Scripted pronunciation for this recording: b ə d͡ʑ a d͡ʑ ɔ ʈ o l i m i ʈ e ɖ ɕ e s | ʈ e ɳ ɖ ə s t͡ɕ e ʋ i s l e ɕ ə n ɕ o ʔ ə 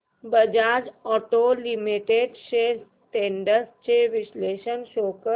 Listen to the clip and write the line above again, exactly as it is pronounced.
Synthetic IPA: b ə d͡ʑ a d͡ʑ ɔ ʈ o l i m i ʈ e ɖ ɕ e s | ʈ e ɳ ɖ ə s t͡ɕ e ʋ i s l e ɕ ə n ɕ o k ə